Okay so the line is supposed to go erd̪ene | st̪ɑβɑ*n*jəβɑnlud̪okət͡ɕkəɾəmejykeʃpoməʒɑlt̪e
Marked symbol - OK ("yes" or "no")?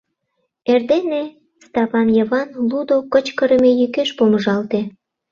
yes